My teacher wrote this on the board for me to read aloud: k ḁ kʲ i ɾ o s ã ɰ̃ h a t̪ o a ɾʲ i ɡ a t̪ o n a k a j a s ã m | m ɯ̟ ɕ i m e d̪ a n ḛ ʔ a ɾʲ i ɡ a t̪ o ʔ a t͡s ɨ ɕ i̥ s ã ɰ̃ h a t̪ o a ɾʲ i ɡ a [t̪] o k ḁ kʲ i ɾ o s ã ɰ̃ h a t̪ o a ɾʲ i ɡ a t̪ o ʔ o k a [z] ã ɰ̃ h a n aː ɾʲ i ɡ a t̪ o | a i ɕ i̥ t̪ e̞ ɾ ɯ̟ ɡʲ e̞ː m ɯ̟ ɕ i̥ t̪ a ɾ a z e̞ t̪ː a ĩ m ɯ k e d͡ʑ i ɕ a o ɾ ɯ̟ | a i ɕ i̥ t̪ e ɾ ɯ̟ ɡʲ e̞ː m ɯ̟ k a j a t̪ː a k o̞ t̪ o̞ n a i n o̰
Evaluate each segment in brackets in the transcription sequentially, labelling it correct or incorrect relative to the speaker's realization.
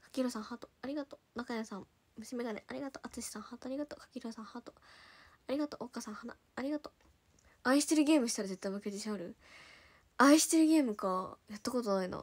correct, incorrect: s

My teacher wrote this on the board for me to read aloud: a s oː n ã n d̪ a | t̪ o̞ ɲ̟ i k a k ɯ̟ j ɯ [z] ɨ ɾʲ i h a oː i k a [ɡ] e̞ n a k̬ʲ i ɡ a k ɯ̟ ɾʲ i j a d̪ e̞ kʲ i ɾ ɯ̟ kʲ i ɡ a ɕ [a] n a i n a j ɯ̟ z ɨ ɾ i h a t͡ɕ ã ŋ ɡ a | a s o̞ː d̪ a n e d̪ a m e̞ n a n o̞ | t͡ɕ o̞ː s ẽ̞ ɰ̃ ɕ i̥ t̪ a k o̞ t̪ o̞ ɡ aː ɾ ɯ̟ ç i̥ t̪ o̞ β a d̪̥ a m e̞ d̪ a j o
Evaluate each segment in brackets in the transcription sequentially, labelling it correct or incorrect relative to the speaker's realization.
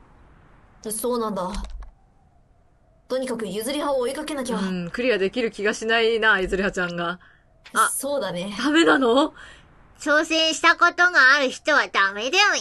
correct, incorrect: k, incorrect: i

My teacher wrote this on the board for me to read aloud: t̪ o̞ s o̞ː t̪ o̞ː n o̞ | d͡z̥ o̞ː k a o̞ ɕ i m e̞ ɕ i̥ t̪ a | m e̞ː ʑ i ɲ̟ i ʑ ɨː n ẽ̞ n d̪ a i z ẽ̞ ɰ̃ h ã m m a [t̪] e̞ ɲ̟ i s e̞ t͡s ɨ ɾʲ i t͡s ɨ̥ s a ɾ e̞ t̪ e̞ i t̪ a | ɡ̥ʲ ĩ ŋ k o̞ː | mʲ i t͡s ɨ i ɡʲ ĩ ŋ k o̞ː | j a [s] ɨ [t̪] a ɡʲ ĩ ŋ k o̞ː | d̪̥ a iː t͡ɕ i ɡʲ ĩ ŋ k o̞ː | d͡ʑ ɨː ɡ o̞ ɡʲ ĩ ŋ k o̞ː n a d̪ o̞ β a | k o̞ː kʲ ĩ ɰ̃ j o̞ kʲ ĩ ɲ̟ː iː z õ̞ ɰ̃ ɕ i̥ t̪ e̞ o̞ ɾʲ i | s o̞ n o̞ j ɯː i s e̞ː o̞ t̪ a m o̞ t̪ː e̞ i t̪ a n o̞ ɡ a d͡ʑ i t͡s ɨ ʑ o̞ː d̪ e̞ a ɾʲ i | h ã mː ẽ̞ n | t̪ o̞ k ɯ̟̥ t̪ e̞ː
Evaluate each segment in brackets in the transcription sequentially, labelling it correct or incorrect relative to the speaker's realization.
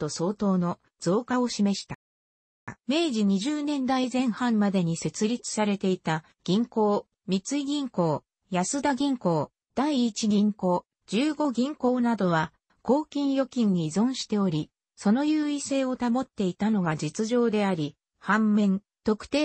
incorrect: d̪, correct, incorrect: d̪

